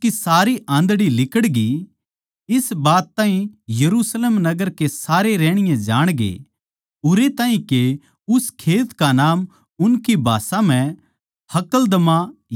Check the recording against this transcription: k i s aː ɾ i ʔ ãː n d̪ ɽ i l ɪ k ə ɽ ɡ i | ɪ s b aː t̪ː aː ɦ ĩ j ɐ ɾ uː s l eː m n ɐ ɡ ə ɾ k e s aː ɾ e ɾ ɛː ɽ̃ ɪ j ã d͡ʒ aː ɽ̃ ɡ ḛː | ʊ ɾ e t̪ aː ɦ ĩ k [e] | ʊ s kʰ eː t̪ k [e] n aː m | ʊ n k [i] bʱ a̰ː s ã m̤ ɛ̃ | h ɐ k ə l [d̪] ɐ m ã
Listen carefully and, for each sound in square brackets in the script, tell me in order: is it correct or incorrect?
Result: correct, incorrect, correct, correct

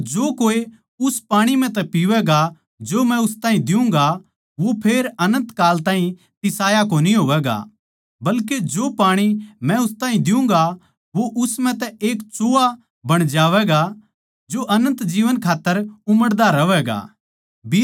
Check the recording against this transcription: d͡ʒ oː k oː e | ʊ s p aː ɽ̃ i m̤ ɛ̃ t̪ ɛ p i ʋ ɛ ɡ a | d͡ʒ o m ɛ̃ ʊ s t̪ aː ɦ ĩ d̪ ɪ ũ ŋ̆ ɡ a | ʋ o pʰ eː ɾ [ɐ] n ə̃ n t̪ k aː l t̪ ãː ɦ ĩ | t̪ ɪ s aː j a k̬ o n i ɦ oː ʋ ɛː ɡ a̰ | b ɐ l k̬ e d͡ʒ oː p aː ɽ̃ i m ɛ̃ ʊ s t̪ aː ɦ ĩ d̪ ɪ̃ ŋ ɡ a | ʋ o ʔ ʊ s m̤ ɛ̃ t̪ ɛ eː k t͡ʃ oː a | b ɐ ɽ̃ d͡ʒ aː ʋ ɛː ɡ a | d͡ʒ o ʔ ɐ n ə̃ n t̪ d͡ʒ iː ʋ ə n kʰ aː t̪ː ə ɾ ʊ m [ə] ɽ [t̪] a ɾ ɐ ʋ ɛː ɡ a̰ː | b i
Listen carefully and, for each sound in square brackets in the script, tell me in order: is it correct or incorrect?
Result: correct, correct, incorrect

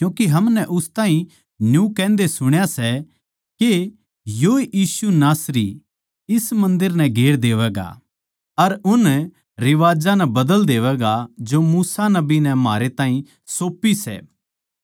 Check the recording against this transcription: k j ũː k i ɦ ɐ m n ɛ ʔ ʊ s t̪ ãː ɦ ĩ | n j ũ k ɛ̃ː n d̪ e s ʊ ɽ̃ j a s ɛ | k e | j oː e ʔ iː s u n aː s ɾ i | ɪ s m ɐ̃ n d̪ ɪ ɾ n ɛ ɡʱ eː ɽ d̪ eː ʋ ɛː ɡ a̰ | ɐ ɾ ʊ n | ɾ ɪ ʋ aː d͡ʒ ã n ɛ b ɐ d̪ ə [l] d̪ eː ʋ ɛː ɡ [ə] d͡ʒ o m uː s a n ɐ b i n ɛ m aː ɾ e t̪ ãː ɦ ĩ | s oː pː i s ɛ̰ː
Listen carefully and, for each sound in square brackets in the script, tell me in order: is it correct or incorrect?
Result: correct, incorrect

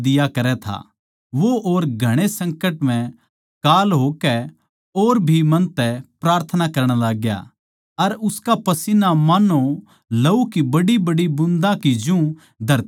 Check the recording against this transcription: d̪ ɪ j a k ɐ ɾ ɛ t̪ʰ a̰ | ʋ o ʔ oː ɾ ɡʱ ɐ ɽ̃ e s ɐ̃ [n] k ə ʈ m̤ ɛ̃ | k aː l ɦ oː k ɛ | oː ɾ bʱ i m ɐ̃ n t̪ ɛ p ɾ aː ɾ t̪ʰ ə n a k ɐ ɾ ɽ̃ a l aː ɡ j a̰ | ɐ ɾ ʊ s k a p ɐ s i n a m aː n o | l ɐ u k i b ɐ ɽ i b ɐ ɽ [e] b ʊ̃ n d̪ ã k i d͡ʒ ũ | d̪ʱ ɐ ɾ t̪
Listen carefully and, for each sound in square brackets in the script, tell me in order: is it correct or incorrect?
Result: incorrect, incorrect

